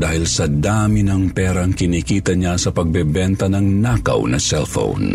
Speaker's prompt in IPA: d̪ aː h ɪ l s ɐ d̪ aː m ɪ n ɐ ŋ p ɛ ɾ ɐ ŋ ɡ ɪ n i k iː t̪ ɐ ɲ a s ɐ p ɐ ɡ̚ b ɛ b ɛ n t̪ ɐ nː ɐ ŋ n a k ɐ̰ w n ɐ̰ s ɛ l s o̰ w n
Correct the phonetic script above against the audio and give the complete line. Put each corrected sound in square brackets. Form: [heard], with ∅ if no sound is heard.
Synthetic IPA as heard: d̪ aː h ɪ l s ɐ d̪ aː m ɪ n ɐ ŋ p ɛ ɾ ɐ ŋ [k] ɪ n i k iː t̪ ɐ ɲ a s ɐ p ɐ ɡ̚ b ɛ b ɛ n t̪ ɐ [n] ɐ ŋ n a k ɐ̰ w n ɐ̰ s ɛ l [f] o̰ w n